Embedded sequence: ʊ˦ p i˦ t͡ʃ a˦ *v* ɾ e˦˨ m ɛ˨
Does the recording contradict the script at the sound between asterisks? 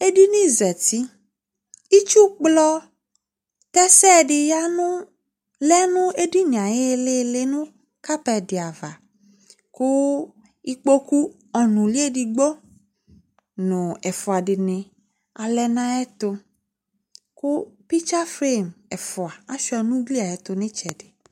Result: yes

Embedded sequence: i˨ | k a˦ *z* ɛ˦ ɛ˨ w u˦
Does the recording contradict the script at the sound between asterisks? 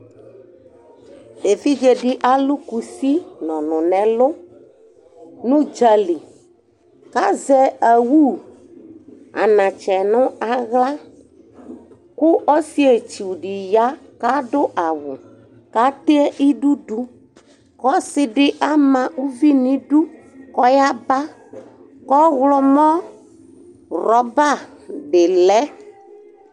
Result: no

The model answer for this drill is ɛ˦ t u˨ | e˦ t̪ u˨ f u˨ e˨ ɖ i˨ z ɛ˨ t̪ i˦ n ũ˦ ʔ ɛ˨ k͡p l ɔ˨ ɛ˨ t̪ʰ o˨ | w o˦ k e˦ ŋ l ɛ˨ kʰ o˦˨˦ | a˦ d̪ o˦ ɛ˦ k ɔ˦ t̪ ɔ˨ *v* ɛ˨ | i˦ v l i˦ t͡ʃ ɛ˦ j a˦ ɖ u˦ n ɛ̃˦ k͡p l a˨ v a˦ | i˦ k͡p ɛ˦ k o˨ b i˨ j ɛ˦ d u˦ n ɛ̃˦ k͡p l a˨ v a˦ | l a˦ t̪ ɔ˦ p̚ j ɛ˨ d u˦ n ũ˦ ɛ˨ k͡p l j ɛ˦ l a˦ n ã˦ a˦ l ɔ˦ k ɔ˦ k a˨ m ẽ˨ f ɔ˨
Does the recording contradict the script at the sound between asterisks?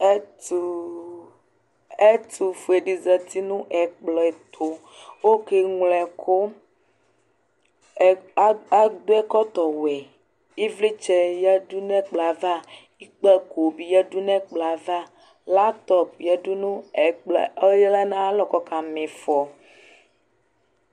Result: yes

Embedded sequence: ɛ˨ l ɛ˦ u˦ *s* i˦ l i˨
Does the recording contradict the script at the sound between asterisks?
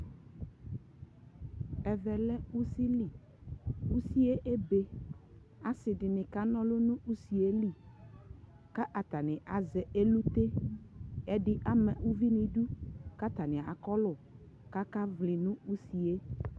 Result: no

